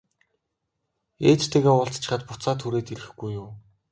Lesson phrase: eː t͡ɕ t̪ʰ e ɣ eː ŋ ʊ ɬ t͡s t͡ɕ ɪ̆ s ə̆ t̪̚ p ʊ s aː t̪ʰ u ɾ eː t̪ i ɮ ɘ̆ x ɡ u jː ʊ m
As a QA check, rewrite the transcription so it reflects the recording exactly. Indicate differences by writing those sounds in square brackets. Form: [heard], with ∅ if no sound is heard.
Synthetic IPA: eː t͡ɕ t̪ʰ e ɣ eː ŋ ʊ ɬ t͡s t͡ɕ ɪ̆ [χ] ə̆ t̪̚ p ʊ [t͡s] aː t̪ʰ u ɾ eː t̪ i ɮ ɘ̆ x ɡ u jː ʊ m

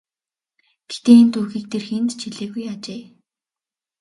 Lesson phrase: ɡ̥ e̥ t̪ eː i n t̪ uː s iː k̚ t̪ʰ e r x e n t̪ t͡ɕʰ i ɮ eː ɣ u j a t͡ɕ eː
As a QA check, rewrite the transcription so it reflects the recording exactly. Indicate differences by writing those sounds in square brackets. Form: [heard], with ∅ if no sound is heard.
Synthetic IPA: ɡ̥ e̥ t̪ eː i n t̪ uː [x] iː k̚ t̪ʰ e r x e n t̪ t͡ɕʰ i ɮ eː ɣ u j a t͡ɕ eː

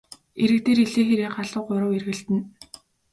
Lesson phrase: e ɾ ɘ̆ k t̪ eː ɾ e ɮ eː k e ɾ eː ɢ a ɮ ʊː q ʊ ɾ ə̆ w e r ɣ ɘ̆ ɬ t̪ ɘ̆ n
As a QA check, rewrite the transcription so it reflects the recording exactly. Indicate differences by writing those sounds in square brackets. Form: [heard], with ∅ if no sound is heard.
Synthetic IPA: e ɾ ɘ̆ k t̪ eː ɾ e ɮ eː [x] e ɾ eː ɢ a ɮ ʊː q ʊ ɾ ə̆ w e r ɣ ɘ̆ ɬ t̪ ɘ̆ n

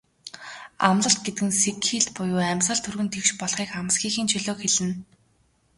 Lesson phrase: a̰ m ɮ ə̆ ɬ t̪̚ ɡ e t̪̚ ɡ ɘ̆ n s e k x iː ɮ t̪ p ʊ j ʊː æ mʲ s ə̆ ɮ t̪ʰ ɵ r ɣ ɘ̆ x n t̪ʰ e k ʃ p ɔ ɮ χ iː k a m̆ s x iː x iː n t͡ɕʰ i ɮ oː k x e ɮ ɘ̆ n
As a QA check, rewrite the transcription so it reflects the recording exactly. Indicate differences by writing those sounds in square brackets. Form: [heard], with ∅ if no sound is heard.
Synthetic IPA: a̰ m ɮ ə̆ ɬ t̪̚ ɡ e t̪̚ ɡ ɘ̆ n s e k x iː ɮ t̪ p ʊ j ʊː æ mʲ s ə̆ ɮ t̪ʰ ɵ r ɣ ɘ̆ [∅] n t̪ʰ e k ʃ p ɔ ɮ χ iː k a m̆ s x iː x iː n t͡ɕʰ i ɮ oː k x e ɮ ɘ̆ n

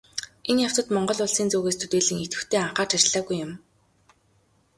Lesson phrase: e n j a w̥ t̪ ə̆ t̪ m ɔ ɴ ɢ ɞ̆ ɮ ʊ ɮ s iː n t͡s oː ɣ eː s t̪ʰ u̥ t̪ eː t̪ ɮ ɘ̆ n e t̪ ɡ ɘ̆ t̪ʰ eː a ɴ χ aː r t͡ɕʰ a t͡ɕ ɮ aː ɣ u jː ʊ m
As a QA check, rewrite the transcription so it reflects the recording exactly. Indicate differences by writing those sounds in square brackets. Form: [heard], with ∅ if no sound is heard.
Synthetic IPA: e n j a w̥ t̪ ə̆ t̪ m ɔ ɴ ɢ ɞ̆ ɮ ʊ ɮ s iː n t͡s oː ɣ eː s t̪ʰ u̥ t̪ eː [∅] ɮ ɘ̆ [ŋ] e t̪ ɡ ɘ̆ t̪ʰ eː a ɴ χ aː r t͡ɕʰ a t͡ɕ ɮ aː ɣ u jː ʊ m

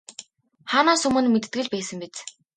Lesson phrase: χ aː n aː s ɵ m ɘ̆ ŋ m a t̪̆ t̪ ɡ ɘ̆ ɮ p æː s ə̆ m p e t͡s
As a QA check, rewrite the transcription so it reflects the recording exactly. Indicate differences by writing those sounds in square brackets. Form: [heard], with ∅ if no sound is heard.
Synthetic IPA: χ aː n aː s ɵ m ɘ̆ [n] m [e] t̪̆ t̪ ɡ ɘ̆ ɮ p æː s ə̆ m p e t͡s

